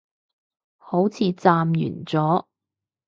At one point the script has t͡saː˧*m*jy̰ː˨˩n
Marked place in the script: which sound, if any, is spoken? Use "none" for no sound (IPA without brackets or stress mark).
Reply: m